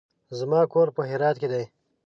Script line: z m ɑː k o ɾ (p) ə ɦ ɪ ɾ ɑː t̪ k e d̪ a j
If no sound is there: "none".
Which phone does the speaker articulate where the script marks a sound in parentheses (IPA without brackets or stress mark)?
p